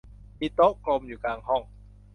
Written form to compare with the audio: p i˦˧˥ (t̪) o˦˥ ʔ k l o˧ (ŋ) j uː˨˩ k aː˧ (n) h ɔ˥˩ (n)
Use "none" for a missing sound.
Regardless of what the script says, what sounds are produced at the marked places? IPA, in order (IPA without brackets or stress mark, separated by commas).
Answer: t̪, m, ŋ, ŋ